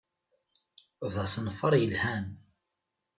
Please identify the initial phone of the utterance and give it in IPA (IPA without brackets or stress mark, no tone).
v